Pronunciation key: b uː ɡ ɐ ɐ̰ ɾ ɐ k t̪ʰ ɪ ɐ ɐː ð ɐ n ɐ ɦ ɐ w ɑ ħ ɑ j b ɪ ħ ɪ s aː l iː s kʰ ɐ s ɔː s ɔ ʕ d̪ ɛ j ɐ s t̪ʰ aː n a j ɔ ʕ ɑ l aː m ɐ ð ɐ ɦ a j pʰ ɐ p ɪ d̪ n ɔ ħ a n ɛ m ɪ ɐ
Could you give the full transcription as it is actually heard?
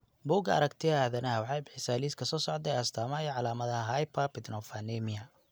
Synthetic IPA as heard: b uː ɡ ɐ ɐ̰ ɾ ɐ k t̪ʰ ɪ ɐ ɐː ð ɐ n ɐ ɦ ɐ w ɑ ħ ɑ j b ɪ ħ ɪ s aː l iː s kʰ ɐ s ɔː s ɔ ʕ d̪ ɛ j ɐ s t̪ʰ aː m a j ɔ ʕ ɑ l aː m ɐ ð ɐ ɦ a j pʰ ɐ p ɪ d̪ n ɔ f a n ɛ m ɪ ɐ